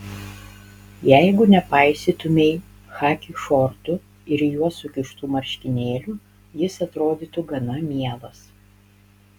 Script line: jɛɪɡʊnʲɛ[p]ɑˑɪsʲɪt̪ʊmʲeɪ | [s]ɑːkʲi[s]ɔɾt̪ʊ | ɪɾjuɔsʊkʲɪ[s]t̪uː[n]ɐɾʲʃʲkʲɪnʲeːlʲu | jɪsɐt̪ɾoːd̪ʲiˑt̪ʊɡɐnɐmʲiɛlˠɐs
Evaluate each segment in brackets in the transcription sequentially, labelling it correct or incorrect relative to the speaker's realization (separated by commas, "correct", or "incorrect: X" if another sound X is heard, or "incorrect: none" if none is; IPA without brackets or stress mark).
correct, incorrect: x, incorrect: ʃ, incorrect: ʃ, incorrect: m